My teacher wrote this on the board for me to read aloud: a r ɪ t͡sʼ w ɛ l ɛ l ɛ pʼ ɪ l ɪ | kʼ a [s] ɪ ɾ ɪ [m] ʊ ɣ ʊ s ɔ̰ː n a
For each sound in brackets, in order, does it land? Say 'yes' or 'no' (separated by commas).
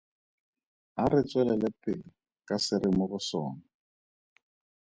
yes, yes